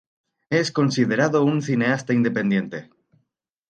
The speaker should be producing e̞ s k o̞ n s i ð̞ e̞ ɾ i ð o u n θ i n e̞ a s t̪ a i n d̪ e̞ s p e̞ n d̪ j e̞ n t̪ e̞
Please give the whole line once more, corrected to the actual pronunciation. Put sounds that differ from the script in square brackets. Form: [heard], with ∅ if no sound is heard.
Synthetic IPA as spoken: e̞ s k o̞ n s i ð̞ e̞ ɾ [a] ð o u n θ i n e̞ a s t̪ a i n d̪ e̞ [∅] p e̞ n d̪ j e̞ n t̪ e̞